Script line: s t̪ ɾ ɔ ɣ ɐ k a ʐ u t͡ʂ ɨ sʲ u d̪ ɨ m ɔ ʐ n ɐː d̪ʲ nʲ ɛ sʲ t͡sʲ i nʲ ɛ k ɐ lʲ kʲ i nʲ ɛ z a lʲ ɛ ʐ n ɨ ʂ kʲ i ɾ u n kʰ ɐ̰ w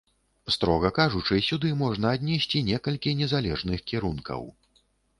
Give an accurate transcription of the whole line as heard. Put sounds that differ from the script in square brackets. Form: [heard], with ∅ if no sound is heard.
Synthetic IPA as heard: s t̪ ɾ ɔ ɣ ɐ k a ʐ u t͡ʂ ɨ sʲ u d̪ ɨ m ɔ ʐ n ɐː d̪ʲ nʲ ɛ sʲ t͡sʲ i nʲ ɛ k ɐ lʲ kʲ i nʲ ɛ z a lʲ ɛ ʐ n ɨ [x] kʲ i ɾ u n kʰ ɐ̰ w